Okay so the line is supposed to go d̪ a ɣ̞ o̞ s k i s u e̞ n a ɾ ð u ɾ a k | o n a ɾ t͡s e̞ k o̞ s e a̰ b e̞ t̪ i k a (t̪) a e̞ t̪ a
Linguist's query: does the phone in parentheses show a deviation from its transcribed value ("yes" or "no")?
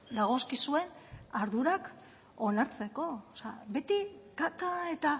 no